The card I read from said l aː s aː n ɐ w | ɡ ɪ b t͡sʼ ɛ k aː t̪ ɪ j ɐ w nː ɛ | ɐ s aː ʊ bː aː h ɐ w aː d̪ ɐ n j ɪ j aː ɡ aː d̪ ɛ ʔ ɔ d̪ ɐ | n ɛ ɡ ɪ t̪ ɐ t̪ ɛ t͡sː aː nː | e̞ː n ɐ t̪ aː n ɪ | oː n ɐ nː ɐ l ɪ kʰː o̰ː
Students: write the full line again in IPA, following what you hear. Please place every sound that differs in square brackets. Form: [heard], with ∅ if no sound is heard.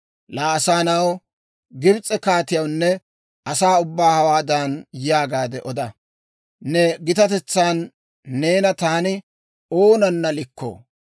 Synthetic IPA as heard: l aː s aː n ɐ w | ɡ ɪ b t͡sʼ ɛ k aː t̪ ɪ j ɐ w nː ɛ | ɐ s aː ʊ bː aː h ɐ w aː d̪ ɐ n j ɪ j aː ɡ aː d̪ ɛ ʔ ɔ d̪ ɐ | n ɛ ɡ ɪ t̪ ɐ t̪ ɛ t͡sː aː nː | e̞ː n ɐ t̪ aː n ɪ | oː n ɐ nː ɐ l ɪ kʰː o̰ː

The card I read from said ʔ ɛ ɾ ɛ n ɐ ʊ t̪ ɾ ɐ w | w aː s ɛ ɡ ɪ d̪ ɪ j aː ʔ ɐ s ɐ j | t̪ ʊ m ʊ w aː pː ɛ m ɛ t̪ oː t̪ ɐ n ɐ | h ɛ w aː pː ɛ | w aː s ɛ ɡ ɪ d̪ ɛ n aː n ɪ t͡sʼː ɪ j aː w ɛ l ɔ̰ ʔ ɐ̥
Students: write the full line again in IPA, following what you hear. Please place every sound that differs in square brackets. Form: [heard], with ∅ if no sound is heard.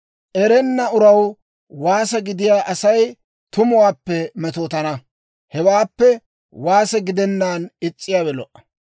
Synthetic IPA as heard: ʔ ɛ ɾ ɛ [nː] ɐ ʊ [∅] ɾ ɐ w | w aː s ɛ ɡ ɪ d̪ ɪ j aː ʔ ɐ s ɐ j | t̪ ʊ m ʊ w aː pː ɛ m ɛ t̪ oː t̪ ɐ n ɐ | h ɛ w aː pː ɛ | w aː s ɛ ɡ ɪ d̪ ɛ [nː] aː n ɪ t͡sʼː ɪ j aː w ɛ l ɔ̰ ʔ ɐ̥

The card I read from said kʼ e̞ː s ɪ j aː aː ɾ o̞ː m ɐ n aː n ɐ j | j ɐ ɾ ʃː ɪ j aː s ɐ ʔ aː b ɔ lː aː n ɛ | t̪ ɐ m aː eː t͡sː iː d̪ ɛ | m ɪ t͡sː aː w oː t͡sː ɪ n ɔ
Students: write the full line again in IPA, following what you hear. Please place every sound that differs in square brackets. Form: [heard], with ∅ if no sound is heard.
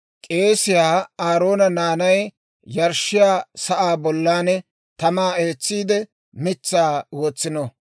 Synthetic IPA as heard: kʼ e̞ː s ɪ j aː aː ɾ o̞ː [n] ɐ n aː n ɐ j | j ɐ ɾ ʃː ɪ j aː s ɐ ʔ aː b ɔ lː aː n ɛ | t̪ ɐ m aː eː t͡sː iː d̪ ɛ | m ɪ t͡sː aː w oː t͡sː ɪ n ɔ

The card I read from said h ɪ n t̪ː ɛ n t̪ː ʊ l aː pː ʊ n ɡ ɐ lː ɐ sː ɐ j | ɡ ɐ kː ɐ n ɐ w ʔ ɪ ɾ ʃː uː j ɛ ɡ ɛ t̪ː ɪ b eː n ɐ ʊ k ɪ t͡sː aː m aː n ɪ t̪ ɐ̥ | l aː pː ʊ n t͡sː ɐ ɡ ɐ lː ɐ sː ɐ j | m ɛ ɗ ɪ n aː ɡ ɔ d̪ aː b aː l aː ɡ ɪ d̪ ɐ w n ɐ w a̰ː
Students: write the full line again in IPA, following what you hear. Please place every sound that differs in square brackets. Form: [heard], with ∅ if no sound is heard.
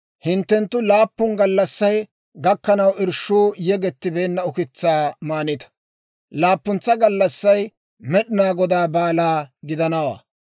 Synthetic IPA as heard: h ɪ n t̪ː ɛ n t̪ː ʊ l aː pː ʊ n ɡ ɐ lː ɐ sː ɐ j | ɡ ɐ kː ɐ n ɐ w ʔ ɪ ɾ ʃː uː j ɛ ɡ ɛ t̪ː ɪ b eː [nː] ɐ ʊ k ɪ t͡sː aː m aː n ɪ t̪ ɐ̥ | l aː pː ʊ n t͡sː ɐ ɡ ɐ lː ɐ sː ɐ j | m ɛ ɗ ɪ n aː ɡ ɔ d̪ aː b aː l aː ɡ ɪ d̪ ɐ [∅] n ɐ w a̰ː

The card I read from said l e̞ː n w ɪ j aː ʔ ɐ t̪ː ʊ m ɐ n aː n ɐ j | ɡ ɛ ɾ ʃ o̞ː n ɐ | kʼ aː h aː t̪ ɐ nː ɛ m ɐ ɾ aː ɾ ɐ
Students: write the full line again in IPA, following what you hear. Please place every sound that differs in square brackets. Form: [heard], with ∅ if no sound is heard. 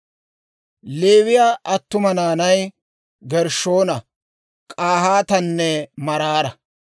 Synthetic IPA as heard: l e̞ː [∅] w ɪ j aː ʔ ɐ t̪ː ʊ m ɐ n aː n ɐ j | ɡ ɛ ɾ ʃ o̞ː n ɐ | kʼ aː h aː t̪ ɐ nː ɛ m ɐ ɾ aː ɾ ɐ

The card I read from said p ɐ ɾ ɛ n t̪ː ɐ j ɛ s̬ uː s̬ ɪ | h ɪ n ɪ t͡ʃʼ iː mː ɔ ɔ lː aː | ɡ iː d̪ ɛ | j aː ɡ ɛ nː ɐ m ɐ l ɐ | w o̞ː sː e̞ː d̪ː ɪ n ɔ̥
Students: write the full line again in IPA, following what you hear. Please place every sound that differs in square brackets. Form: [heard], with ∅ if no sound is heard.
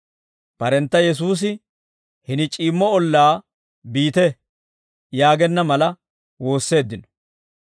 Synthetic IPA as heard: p ɐ ɾ ɛ n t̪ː ɐ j ɛ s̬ uː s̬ ɪ | h ɪ n ɪ t͡ʃʼ iː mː ɔ ɔ lː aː | [b] iː [t̪] ɛ | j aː ɡ ɛ nː ɐ m ɐ l ɐ | w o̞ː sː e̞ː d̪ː ɪ n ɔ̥

